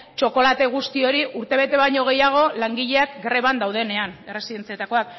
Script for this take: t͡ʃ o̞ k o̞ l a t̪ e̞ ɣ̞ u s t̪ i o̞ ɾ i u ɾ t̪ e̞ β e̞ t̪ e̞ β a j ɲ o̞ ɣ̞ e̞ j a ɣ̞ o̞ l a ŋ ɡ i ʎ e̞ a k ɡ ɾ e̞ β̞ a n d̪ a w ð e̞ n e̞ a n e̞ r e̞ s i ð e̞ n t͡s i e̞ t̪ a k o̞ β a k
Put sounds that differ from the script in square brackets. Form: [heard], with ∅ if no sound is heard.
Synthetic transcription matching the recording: t͡ʃ o̞ k o̞ l a t̪ e̞ ɣ̞ u s t̪ i o̞ ɾ i u ɾ t̪ e̞ β e̞ t̪ e̞ β a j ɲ o̞ ɣ̞ e̞ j a ɣ̞ o̞ l a ŋ ɡ i ʎ e̞ a k ɡ ɾ e̞ β̞ a n d̪ a w ð e̞ n e̞ a n e̞ r e̞ s i ð e̞ n t͡s i e̞ t̪ a k o̞ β a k